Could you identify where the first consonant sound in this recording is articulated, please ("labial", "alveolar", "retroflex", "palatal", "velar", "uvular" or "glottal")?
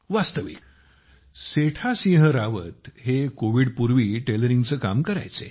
labial